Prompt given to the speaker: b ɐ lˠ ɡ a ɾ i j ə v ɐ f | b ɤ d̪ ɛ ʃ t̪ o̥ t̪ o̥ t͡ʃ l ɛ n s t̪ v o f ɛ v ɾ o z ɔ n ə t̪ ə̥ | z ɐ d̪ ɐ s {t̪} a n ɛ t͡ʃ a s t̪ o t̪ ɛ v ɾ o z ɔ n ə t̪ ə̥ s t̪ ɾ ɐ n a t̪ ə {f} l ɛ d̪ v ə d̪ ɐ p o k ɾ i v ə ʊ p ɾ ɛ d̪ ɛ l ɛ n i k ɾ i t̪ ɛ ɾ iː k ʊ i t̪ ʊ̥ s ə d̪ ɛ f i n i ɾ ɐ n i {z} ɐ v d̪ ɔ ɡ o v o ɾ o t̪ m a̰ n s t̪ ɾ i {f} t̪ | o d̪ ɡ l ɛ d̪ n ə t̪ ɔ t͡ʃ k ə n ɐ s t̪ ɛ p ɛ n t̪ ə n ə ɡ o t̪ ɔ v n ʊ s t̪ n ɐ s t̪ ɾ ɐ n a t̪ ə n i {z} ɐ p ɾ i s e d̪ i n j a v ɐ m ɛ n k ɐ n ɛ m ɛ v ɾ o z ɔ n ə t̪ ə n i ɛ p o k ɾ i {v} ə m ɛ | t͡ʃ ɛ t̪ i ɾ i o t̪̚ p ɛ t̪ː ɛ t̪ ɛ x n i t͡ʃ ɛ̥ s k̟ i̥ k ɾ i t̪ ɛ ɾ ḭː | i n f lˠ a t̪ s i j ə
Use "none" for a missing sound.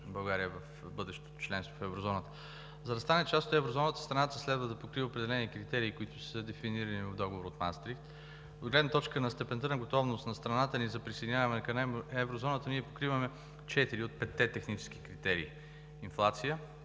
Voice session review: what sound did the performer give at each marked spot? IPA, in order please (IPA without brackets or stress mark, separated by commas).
t̪, s, v, f, z, v